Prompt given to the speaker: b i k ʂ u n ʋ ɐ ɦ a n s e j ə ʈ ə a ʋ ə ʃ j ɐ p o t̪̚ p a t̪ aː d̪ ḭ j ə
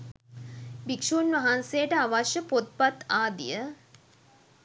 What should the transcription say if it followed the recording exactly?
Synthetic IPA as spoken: b i k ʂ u n ʋ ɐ ɦ a n s e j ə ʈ ə a ʋ a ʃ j ə p o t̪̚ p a t̪ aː d̪ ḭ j ə